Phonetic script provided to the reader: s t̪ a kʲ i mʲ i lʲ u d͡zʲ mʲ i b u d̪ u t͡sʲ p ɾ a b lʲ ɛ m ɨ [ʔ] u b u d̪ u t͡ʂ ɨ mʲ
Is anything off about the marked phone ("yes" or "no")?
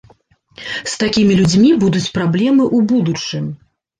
no